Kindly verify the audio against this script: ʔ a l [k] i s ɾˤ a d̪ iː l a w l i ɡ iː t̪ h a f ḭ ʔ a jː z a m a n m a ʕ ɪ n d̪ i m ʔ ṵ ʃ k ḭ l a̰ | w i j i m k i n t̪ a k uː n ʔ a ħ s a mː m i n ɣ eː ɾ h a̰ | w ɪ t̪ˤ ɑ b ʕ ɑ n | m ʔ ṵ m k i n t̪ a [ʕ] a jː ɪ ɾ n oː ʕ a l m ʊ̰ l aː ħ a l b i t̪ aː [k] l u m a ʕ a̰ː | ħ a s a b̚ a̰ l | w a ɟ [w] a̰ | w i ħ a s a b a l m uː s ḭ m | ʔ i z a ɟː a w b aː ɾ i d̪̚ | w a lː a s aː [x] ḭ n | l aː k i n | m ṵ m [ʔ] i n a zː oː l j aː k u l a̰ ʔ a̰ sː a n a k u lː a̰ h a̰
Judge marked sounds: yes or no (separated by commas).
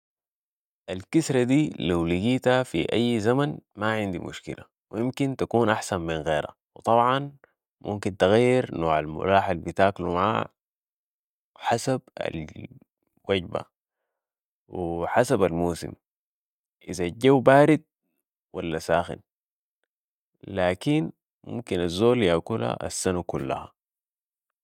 yes, no, yes, no, yes, no